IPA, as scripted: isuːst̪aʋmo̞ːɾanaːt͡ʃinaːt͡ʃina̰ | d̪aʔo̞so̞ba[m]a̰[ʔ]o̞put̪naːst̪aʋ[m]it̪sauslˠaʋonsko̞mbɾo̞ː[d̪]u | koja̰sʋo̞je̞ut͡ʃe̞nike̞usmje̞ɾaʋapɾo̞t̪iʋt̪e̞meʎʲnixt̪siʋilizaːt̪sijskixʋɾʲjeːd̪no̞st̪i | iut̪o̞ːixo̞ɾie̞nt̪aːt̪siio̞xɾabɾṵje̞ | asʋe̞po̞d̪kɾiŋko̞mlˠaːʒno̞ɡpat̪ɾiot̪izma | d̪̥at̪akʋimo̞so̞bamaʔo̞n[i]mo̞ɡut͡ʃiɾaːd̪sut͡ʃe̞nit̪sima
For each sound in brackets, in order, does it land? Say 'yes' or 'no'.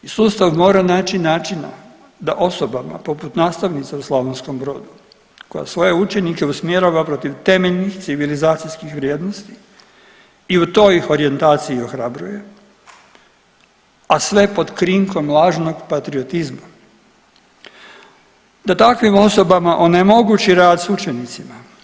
yes, no, no, yes, no

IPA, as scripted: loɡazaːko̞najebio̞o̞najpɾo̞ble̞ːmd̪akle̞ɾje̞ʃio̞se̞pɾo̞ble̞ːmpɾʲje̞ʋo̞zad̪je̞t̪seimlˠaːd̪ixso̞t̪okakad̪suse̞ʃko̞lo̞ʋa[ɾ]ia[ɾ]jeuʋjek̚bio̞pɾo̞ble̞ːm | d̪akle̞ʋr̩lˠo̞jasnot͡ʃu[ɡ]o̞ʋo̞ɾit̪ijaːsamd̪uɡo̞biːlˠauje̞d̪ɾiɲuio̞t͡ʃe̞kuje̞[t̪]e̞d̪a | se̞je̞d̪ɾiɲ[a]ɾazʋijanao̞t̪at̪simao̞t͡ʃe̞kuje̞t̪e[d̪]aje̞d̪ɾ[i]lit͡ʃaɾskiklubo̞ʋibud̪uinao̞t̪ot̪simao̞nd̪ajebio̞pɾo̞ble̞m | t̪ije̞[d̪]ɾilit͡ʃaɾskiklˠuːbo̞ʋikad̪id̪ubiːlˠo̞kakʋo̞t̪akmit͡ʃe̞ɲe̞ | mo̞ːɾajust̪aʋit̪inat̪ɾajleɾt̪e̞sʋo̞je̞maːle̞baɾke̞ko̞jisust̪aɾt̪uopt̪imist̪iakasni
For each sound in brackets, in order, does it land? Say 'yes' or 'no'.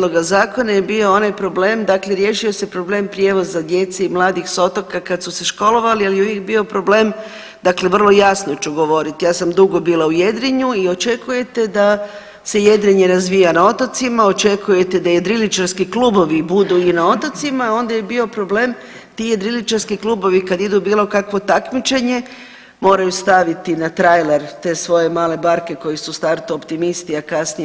no, no, yes, yes, no, yes, yes, yes

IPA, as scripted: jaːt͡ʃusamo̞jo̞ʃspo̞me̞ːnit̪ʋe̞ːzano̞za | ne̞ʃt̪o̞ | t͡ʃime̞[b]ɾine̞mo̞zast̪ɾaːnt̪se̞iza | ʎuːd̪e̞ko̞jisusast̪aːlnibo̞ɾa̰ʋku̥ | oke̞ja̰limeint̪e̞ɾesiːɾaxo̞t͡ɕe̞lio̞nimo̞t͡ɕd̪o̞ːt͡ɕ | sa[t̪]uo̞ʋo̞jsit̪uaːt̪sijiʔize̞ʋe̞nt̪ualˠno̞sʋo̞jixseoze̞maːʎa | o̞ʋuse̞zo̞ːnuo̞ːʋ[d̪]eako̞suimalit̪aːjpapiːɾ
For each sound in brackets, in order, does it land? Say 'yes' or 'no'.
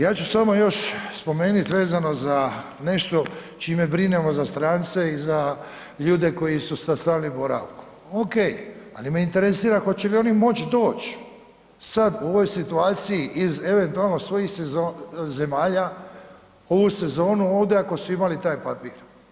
yes, no, yes

